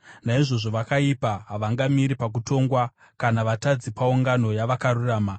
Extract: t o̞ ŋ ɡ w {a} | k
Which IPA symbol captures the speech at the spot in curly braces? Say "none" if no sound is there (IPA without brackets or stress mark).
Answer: a